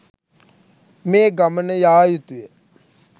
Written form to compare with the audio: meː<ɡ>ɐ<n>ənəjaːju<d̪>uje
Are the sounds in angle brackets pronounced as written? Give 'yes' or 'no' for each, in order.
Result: yes, no, no

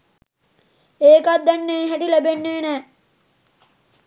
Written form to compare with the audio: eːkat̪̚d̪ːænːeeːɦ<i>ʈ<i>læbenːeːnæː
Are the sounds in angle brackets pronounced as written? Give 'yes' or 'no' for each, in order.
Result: no, yes

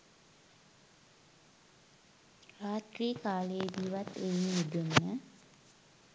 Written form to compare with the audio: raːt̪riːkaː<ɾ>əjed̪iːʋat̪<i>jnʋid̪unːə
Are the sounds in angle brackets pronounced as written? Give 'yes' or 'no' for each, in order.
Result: no, no

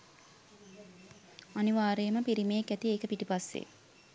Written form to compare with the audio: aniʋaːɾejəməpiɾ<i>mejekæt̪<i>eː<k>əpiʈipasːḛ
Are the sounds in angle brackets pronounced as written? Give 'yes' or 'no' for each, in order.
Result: yes, yes, yes

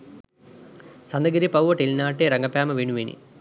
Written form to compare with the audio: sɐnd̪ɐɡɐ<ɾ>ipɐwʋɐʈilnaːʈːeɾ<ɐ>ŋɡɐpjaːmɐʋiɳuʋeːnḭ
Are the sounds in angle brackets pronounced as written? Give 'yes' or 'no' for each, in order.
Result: yes, yes

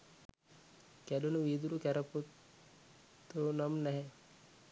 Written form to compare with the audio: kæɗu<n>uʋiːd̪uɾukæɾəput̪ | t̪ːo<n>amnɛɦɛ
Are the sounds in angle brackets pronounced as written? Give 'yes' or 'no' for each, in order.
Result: yes, yes

